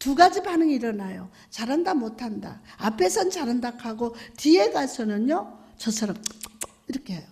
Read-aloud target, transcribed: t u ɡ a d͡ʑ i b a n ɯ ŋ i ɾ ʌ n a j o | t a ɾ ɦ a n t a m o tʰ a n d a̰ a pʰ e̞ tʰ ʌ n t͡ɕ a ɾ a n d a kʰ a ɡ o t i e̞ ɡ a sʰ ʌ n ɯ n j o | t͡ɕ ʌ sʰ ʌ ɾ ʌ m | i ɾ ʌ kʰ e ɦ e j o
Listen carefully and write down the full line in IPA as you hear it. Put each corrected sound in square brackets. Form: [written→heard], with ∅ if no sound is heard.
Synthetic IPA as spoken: t u ɡ a d͡ʑ i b a n ɯ ŋ i ɾ ʌ n a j o | [t→t͡ɕ] a ɾ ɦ a n [t→d] a m o tʰ a n d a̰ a pʰ e̞ [tʰ→sʰ] ʌ n t͡ɕ a ɾ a n d a kʰ a ɡ o t i e̞ ɡ a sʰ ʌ n ɯ n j o | t͡ɕ ʌ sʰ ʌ ɾ ʌ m | i ɾ ʌ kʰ e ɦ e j o